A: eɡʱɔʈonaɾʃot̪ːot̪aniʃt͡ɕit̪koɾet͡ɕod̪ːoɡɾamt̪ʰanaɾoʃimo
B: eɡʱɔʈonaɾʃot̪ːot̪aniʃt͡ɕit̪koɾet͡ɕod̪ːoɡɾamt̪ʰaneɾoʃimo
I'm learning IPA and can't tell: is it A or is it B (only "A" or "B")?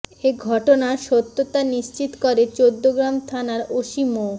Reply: A